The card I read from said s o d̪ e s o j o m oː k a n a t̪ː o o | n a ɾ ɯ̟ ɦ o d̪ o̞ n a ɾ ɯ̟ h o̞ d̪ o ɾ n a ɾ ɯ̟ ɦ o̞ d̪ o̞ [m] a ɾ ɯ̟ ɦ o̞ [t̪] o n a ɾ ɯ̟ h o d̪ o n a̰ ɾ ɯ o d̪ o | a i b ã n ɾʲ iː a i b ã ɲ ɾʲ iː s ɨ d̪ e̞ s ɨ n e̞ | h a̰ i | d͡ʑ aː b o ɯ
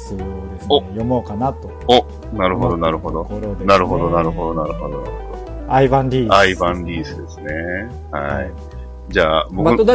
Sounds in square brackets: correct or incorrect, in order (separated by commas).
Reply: incorrect, incorrect